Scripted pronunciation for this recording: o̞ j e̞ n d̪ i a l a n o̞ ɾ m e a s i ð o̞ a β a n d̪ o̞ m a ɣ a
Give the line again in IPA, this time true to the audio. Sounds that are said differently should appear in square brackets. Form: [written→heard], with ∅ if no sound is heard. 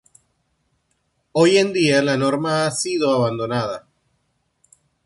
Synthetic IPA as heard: o̞ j e̞ n d̪ i a l a n o̞ ɾ m [e→a] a s i ð o̞ a β a n d̪ o̞ [m→n] a [ɣ→ð] a